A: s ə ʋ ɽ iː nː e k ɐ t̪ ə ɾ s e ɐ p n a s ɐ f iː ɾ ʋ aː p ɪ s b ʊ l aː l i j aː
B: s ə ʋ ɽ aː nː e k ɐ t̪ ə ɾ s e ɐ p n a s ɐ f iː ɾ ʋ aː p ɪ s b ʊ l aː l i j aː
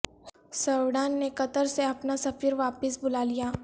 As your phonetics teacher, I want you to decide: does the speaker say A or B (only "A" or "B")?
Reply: B